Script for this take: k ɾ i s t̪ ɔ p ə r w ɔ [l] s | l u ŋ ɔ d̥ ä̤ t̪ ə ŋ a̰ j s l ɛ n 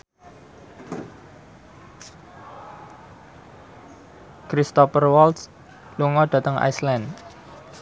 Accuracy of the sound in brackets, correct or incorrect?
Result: correct